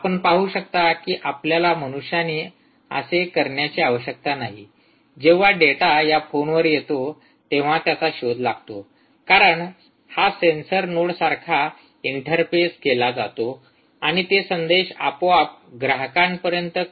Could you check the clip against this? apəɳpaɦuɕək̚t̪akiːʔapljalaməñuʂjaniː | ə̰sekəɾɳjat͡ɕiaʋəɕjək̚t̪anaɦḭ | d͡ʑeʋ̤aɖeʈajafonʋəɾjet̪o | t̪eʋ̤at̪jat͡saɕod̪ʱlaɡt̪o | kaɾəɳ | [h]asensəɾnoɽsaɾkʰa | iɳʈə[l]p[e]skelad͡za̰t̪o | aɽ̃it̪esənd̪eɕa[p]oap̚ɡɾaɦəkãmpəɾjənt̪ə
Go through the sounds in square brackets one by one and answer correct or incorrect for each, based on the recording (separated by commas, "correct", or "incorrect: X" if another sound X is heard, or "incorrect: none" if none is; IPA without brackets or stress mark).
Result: correct, incorrect: ɾ, correct, correct